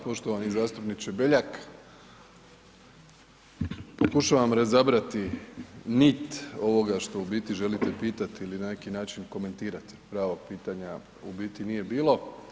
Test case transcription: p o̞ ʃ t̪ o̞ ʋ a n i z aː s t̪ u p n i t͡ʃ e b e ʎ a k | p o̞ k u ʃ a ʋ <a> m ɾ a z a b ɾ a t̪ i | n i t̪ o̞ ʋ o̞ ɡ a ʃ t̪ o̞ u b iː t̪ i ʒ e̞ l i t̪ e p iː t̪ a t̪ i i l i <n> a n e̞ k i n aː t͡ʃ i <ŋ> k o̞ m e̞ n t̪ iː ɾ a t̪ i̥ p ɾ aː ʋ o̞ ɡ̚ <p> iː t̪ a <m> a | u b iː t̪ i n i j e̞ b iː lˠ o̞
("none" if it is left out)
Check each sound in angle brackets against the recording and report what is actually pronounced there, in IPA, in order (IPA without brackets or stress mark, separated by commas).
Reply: a, n, n, p, ɲ